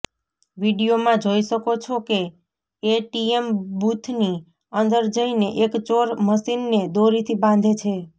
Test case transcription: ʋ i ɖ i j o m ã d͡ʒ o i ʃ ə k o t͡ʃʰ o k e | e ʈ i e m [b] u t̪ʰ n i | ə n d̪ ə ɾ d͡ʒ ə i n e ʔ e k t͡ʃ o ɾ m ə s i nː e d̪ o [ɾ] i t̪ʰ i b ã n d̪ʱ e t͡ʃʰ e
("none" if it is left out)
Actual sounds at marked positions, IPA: b, ɾ

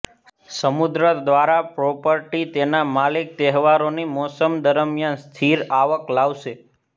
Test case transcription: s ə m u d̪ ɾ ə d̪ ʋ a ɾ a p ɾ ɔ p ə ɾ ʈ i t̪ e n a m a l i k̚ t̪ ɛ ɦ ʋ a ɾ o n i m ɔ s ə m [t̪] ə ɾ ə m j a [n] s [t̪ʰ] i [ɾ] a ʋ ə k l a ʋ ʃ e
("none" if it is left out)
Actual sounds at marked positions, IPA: d̪, n, t̪ʰ, ɾ

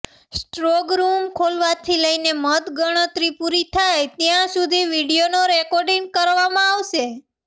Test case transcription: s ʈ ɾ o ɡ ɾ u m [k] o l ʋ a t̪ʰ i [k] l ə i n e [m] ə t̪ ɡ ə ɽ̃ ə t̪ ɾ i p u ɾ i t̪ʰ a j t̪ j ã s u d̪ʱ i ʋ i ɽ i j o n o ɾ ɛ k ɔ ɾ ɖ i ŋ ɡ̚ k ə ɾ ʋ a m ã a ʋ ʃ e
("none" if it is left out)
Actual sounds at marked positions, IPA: kʰ, none, m

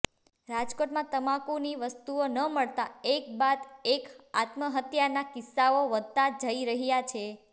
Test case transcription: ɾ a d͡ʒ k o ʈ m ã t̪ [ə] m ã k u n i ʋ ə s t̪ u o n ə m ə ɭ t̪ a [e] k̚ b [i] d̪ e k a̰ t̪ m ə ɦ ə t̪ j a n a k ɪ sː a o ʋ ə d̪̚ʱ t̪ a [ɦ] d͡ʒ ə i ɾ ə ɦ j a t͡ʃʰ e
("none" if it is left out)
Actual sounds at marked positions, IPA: ə, e, a, none

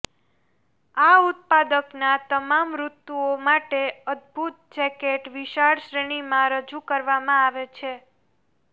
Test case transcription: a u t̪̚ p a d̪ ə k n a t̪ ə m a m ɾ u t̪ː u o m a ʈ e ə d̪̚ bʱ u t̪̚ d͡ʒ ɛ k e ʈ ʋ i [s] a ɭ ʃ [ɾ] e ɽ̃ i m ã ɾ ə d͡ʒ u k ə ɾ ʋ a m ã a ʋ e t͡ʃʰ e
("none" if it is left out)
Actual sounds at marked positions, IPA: ʃ, ɾ

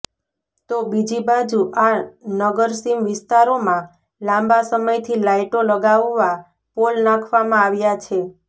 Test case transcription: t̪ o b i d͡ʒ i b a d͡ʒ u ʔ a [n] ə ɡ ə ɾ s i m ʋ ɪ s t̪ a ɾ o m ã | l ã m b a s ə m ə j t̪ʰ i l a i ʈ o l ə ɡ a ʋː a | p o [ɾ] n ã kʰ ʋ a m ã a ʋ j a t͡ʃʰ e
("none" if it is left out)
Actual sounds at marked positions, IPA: n, l

